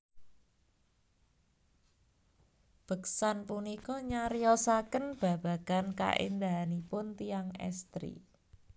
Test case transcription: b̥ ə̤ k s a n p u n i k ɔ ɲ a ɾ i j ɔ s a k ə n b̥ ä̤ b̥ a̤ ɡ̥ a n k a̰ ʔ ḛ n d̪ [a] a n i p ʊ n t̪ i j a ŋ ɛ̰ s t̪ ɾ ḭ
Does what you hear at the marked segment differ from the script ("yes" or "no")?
no